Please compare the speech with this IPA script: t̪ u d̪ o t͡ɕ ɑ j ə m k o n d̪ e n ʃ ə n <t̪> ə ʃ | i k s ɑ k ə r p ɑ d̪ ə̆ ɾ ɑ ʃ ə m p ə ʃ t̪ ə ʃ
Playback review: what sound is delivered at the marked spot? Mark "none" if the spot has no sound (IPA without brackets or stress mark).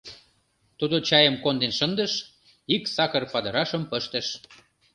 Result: d̪